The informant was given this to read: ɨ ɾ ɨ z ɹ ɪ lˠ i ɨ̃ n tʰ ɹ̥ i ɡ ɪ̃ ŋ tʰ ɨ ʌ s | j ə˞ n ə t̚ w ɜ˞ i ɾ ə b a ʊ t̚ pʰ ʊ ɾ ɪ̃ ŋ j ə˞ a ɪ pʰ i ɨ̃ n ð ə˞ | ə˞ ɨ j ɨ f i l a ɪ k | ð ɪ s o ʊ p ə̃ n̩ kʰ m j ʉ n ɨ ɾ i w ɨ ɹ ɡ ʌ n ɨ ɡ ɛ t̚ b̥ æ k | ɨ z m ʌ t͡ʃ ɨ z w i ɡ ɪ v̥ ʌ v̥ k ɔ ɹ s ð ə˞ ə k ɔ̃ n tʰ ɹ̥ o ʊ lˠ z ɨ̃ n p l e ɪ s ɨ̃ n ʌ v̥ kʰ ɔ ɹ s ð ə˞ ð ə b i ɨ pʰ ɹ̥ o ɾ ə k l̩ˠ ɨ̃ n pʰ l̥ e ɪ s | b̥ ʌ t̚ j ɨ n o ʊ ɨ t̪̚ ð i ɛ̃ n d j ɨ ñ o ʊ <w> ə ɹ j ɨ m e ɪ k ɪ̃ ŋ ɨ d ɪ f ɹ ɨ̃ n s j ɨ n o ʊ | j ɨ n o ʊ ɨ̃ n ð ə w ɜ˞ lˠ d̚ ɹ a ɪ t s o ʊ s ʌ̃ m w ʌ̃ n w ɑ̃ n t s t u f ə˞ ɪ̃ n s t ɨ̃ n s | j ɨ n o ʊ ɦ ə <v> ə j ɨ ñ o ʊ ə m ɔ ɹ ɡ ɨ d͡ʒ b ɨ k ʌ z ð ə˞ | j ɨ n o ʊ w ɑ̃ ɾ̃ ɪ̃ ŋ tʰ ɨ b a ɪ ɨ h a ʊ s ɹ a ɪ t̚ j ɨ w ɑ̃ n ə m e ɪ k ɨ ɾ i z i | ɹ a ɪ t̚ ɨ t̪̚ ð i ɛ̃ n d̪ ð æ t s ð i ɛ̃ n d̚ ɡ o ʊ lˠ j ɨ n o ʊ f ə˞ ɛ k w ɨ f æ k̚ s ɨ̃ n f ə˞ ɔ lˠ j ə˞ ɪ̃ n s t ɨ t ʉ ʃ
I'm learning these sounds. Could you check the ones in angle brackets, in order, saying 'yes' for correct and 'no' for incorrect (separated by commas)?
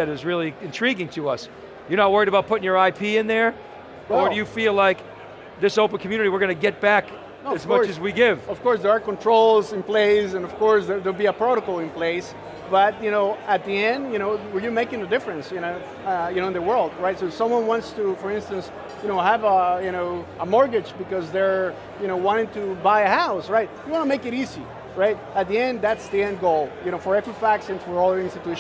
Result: yes, yes